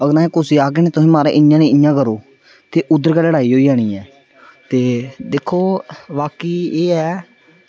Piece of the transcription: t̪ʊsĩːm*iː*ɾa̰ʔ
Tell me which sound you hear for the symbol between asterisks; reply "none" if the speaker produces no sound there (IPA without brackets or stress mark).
aː